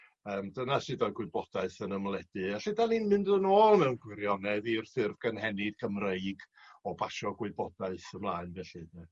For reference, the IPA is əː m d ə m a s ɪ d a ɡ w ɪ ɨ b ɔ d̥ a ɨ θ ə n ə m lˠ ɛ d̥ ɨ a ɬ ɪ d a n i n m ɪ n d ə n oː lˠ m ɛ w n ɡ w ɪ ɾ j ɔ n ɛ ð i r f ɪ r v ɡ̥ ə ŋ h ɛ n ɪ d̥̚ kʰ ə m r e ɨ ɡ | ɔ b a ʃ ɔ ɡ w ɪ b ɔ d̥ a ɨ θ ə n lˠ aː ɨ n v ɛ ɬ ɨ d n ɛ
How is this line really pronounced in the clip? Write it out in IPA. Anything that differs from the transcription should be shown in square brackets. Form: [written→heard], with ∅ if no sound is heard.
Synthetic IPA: əː m d ə [m→n] a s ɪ d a ɡ w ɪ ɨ b ɔ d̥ a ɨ θ ə n ə m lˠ ɛ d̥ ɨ a ɬ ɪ d a n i n m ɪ n d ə n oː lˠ m ɛ w n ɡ w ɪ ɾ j ɔ n ɛ ð i r [f→θ] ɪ r v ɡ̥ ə [ŋ→n] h ɛ n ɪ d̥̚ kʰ ə m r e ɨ ɡ | ɔ b a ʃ ɔ ɡ w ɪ b ɔ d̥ a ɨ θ ə [n→m] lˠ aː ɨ n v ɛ ɬ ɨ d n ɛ